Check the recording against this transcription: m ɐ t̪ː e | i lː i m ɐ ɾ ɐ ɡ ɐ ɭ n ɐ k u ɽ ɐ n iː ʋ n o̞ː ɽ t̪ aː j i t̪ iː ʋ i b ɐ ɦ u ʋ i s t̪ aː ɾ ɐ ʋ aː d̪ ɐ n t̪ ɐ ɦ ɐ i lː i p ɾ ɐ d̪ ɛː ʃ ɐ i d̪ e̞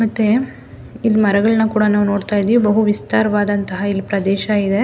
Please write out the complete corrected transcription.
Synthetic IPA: m ɐ t̪ː e | i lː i m ɐ ɾ ɐ ɡ ɐ ɭ n ɐ k uː ɽ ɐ n aː ʋ n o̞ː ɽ t̪ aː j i d̪ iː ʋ i b ɐ ɦ u ʋ i s t̪ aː ɾ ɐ ʋ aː d̪ ɐ n t̪ ɐ ɦ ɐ i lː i p ɾ ɐ d̪ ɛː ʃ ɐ i d̪ e̞